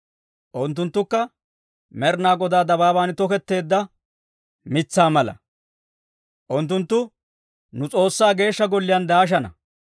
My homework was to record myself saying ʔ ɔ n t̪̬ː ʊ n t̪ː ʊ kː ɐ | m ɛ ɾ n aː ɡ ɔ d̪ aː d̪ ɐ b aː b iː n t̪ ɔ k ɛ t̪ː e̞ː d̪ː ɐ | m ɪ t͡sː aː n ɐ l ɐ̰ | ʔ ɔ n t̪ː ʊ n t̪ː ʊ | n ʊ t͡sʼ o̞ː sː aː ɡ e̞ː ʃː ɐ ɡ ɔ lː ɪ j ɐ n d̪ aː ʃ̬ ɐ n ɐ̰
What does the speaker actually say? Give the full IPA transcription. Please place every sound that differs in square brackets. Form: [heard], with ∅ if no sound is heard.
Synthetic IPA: ʔ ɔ n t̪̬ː ʊ n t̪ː ʊ kː ɐ | m ɛ ɾ n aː ɡ ɔ d̪ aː d̪ ɐ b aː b [aː] n t̪ ɔ k ɛ t̪ː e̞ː d̪ː ɐ | m ɪ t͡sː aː [m] ɐ l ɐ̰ | ʔ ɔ n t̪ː ʊ n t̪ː ʊ | n ʊ t͡sʼ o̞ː sː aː ɡ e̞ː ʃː ɐ ɡ ɔ lː ɪ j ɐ n d̪ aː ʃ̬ ɐ n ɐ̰